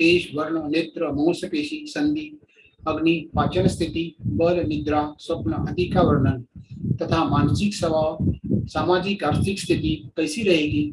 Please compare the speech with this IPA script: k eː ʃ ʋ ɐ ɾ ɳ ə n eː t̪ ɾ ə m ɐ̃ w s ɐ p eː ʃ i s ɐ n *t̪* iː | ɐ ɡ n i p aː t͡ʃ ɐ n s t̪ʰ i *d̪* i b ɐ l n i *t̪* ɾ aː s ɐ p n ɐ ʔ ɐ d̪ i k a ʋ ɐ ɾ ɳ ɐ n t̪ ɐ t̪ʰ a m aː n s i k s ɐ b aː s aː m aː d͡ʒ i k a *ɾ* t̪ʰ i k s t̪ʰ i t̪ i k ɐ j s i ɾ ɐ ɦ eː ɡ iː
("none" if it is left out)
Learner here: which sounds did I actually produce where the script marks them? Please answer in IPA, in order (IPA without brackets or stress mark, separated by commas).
d̪, t̪, d̪, ɾ